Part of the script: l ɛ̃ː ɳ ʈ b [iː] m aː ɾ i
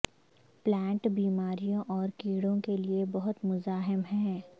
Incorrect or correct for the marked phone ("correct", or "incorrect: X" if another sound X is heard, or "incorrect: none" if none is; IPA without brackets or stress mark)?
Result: correct